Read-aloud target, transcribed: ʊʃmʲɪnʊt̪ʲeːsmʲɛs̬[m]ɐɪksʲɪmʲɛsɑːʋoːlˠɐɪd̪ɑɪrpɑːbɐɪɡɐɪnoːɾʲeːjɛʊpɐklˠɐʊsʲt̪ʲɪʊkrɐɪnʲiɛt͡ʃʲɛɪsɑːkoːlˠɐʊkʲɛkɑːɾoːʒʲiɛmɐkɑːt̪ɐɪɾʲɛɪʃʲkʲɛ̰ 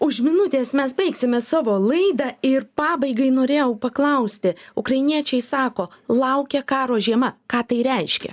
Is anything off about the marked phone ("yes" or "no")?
yes